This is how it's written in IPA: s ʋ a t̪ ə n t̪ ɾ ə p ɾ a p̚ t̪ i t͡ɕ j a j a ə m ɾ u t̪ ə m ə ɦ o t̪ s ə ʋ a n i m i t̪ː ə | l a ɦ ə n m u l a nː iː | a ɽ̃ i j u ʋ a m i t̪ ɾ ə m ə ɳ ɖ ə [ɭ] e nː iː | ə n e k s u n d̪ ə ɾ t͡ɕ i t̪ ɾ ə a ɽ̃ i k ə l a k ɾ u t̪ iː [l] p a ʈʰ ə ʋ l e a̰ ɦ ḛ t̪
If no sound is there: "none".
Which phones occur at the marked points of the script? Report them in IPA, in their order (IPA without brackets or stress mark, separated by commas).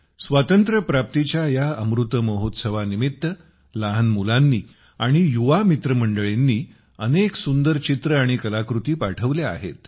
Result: ɭ, none